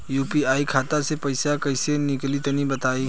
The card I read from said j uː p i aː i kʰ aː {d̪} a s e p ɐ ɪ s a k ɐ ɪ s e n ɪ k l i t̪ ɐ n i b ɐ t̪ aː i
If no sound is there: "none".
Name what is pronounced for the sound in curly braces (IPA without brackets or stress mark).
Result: t̪